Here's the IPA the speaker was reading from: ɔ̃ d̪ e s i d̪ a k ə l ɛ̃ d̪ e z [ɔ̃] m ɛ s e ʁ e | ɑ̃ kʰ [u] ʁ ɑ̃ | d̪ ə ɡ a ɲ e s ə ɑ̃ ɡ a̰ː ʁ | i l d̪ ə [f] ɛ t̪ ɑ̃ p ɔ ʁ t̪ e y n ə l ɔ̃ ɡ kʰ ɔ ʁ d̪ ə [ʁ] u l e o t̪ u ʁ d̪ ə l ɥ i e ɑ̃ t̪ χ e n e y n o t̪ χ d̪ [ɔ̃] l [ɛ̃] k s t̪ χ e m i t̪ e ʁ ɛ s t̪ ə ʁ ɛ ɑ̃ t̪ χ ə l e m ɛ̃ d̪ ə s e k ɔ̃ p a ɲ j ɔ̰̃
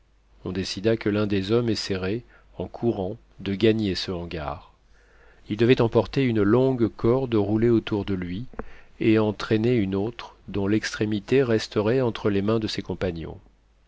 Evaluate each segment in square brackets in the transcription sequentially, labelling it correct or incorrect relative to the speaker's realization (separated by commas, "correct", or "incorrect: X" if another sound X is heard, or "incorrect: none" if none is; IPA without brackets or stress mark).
incorrect: ɔ, correct, incorrect: v, correct, correct, incorrect: ɛ